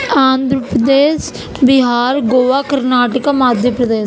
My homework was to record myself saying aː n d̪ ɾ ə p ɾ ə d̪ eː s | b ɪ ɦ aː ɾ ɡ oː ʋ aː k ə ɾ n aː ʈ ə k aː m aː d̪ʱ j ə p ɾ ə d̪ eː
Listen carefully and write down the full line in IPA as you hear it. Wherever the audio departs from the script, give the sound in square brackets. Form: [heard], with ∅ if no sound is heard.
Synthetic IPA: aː n d̪ ɾ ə p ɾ ə d̪ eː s | b ɪ ɦ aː ɾ ɡ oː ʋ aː k ə ɾ n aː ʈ ə k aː m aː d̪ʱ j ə p ɾ ə d̪ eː